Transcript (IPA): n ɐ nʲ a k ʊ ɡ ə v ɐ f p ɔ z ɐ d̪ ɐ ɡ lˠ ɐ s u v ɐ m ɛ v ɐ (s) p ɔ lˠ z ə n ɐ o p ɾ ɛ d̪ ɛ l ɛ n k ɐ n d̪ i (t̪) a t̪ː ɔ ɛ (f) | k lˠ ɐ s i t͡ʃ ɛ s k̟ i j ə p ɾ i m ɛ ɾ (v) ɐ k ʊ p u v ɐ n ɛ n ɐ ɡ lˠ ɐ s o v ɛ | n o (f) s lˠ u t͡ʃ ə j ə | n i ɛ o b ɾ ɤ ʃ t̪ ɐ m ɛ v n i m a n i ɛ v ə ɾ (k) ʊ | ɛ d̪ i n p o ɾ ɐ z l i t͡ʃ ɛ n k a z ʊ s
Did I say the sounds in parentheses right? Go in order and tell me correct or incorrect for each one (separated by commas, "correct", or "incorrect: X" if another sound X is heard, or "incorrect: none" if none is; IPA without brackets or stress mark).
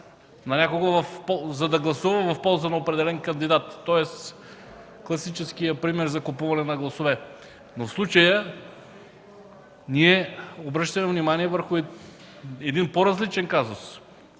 incorrect: f, incorrect: d̪, incorrect: s, incorrect: z, correct, incorrect: x